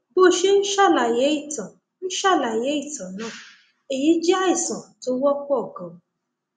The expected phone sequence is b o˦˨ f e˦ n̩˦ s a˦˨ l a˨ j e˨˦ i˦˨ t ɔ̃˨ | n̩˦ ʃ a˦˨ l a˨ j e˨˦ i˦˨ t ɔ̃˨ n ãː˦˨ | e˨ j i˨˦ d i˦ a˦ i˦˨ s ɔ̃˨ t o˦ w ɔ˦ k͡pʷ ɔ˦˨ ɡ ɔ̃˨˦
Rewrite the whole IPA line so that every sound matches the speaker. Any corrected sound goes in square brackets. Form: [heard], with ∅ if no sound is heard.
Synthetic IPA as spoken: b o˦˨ [ʃ] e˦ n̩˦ [ʃ] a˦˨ l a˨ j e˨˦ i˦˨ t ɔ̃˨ | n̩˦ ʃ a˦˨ l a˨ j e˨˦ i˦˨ t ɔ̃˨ n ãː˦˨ | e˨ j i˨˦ [d͡ʒ] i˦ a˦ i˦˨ s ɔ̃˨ t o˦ w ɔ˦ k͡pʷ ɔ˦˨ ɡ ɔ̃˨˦